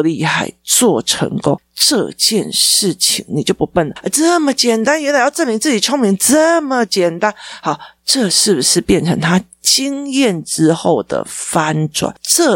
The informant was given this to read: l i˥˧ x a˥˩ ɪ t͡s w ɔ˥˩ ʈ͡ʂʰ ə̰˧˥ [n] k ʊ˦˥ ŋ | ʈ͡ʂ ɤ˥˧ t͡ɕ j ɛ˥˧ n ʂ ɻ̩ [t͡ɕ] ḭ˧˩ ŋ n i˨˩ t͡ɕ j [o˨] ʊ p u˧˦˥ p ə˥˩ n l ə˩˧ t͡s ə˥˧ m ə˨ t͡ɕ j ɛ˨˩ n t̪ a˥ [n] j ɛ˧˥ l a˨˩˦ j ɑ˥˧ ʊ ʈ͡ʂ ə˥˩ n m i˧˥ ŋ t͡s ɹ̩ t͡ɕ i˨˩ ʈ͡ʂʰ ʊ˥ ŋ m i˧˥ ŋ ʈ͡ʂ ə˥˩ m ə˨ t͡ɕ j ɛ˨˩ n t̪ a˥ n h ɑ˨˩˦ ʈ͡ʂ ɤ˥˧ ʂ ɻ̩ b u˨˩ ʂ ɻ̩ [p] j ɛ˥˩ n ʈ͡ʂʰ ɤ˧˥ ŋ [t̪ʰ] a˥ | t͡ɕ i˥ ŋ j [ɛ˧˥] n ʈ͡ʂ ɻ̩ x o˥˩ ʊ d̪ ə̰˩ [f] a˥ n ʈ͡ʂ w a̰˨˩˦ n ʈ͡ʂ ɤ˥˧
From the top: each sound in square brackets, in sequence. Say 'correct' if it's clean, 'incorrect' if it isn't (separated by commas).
incorrect, incorrect, incorrect, correct, correct, correct, incorrect, correct